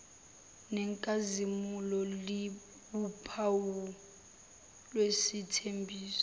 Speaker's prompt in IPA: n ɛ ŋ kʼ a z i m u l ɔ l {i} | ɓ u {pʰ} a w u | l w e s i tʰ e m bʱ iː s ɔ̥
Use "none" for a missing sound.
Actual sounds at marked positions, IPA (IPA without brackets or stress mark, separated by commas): i, pʰ